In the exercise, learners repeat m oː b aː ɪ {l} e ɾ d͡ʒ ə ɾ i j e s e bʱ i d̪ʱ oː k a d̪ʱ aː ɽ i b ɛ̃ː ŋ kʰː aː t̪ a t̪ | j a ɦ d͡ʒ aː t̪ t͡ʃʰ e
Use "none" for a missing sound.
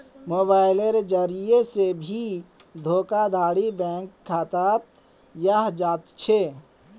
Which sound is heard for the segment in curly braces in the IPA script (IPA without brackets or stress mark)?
l